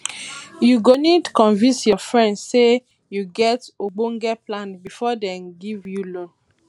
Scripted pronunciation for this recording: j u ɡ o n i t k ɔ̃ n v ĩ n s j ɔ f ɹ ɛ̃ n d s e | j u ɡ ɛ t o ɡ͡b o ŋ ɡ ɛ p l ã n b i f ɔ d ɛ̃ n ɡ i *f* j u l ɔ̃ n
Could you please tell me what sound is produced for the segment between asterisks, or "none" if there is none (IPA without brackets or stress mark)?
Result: v